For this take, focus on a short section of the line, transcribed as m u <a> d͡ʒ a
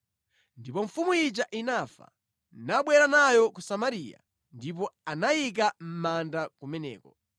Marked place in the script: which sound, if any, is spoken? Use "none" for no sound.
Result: i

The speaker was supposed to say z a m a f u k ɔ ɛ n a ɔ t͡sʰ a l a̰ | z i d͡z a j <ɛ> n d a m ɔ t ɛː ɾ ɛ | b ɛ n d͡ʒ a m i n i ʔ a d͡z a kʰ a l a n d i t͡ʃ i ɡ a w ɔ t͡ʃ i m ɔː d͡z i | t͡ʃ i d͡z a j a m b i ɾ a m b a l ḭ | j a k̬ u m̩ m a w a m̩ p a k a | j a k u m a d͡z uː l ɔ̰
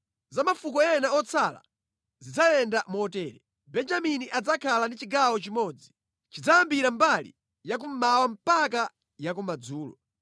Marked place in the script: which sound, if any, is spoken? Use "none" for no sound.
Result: ɛ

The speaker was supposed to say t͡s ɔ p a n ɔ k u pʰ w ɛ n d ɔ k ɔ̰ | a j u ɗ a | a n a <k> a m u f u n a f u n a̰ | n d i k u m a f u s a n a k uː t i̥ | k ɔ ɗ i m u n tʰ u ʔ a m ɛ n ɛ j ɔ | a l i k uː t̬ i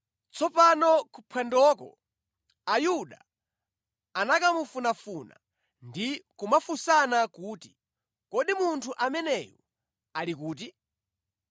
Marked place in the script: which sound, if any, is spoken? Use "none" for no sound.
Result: k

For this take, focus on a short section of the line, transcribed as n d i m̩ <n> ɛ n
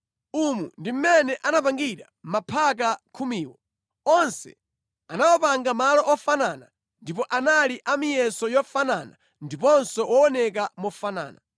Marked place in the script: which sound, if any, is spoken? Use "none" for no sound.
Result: m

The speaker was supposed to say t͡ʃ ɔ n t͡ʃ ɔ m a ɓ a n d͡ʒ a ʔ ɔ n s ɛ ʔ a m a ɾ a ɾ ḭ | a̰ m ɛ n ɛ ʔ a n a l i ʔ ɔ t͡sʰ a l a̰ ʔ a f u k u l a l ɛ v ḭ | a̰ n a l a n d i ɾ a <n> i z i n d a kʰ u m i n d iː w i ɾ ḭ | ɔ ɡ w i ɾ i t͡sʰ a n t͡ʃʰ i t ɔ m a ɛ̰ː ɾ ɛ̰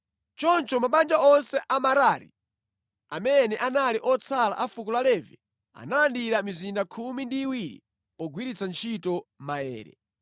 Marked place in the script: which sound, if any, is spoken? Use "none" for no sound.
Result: m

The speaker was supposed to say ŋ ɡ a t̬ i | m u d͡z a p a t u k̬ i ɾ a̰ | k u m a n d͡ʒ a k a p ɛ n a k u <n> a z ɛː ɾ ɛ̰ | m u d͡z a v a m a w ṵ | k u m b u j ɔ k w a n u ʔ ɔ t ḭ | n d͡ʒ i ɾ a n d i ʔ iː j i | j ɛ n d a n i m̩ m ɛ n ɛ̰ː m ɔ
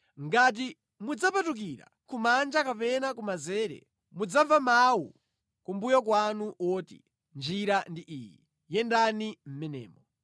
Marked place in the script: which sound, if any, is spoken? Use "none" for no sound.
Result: m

